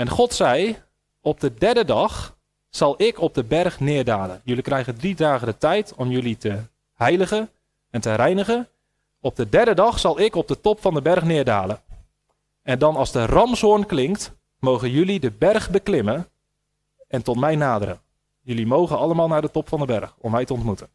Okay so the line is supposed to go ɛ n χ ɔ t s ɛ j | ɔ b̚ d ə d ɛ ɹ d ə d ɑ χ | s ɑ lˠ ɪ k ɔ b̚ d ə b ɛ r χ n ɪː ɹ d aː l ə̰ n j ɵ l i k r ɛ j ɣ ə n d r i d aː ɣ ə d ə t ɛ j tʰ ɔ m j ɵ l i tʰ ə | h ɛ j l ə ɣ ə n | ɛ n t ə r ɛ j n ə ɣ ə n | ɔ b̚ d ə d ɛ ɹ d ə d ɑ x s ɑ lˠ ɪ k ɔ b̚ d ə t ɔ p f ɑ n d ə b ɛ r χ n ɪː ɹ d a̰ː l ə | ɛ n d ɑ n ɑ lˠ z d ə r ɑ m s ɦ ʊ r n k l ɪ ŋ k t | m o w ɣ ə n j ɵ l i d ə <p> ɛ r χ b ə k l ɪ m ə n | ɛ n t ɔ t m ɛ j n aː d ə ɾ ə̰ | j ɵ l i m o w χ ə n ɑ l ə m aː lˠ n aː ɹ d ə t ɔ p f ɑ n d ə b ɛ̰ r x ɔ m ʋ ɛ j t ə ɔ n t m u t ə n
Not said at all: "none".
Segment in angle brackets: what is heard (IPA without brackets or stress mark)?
b